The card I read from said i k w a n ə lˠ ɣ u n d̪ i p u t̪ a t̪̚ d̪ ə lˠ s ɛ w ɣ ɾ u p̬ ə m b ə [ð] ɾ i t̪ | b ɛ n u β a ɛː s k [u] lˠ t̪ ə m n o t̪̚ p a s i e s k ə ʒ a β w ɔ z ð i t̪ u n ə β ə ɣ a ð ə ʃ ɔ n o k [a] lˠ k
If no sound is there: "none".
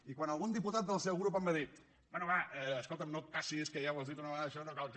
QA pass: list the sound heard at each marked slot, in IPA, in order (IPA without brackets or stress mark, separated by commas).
ð, o, a